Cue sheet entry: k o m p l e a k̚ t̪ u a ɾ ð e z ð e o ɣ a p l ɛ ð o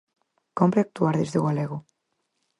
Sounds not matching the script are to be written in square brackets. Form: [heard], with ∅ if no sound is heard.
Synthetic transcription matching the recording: k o m p [ɾ] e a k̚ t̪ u a ɾ ð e z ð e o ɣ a [∅] l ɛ [ɣ] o